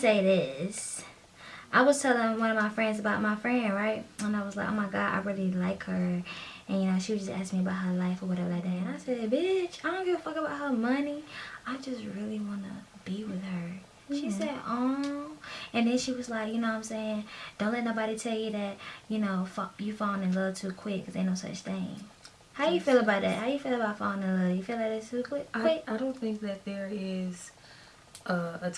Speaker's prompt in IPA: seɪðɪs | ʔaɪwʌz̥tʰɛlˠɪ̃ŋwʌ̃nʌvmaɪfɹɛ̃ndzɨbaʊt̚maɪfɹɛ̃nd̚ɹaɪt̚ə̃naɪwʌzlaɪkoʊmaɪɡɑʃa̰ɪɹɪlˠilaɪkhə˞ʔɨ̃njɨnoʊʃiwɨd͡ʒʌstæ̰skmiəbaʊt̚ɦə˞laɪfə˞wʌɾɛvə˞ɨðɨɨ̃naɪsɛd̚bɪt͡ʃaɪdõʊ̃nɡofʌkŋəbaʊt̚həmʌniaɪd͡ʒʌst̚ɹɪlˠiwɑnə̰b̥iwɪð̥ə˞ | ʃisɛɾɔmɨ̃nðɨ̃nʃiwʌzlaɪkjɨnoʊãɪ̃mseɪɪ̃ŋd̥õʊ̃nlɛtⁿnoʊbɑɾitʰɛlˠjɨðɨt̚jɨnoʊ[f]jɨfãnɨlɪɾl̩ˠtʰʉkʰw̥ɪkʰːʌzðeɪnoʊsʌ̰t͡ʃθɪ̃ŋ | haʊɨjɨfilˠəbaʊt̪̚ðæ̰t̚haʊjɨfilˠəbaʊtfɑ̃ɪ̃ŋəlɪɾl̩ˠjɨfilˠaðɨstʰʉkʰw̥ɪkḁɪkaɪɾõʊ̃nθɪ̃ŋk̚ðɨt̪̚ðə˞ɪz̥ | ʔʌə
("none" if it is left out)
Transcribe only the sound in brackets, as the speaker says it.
f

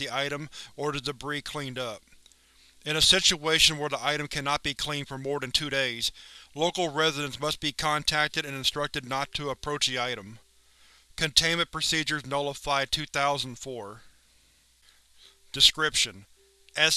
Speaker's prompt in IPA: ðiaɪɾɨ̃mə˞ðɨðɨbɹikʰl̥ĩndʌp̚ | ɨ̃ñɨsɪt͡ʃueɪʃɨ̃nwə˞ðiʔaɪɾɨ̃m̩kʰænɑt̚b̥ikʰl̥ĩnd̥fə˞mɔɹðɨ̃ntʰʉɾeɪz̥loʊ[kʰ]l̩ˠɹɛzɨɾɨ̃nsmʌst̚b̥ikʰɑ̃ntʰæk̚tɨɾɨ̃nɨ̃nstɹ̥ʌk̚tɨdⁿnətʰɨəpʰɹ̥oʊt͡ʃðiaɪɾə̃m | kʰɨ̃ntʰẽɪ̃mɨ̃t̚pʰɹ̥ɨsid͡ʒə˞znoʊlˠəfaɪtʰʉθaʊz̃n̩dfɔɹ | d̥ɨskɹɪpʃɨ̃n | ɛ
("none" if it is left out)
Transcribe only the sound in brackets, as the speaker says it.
k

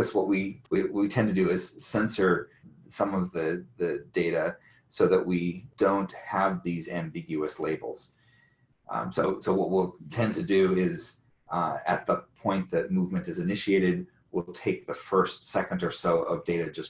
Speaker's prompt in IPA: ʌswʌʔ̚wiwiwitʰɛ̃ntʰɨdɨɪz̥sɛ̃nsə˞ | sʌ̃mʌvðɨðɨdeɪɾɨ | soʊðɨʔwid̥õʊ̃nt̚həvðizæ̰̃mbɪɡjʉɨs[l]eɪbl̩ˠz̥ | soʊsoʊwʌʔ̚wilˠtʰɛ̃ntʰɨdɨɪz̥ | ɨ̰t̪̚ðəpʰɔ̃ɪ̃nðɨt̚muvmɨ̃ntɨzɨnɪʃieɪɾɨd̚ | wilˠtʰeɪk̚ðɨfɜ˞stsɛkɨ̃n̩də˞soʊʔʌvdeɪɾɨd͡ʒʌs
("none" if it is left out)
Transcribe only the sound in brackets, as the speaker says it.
l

